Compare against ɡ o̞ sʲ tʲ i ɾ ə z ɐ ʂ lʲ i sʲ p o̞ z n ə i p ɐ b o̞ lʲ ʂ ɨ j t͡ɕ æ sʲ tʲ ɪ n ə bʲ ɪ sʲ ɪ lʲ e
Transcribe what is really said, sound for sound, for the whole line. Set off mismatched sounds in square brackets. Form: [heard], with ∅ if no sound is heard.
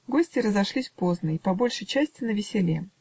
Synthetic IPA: ɡ o̞ sʲ tʲ [ɪ] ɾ ə z ɐ ʂ lʲ i sʲ p o̞ z n ə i p ɐ b o̞ lʲ ʂ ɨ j t͡ɕ æ sʲ tʲ ɪ n ə [vʲ] ɪ sʲ ɪ lʲ e